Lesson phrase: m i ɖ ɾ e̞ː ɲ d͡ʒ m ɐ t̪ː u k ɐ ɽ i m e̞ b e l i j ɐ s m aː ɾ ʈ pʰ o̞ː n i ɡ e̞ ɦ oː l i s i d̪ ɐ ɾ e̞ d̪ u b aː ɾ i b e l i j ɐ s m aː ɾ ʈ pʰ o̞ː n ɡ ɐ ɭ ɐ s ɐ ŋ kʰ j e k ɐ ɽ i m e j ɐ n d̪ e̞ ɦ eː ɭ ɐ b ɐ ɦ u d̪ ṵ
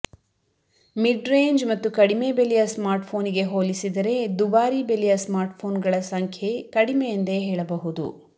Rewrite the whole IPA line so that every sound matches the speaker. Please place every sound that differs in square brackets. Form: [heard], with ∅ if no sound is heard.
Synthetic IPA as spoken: m i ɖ ɾ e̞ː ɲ d͡ʒ m ɐ t̪ː u k ɐ ɽ i m e̞ b e l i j ɐ s m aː ɾ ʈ pʰ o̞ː n i ɡ e̞ ɦ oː l i s i d̪ ɐ ɾ e̞ d̪ u b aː ɾ i b e l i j ɐ s m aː ɾ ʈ pʰ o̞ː n ɡ ɐ ɭ ɐ s ɐ ŋ kʰ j e k ɐ ɽ i m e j ɐ n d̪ e̞ ɦ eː ɭ ɐ b ɐ ɦ u d̪ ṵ